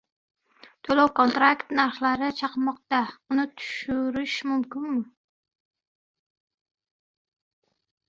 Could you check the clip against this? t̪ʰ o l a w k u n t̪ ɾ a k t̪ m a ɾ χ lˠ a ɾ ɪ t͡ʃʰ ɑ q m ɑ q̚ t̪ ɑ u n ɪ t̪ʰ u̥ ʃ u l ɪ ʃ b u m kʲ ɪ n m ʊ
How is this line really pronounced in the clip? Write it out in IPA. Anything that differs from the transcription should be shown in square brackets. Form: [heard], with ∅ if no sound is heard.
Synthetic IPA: t̪ʰ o l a w k [o] n t̪ ɾ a k t̪ [n] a ɾ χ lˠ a ɾ ɪ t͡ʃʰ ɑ q m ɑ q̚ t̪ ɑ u n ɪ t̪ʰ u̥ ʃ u [ɾ] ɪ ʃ [m] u m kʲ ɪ n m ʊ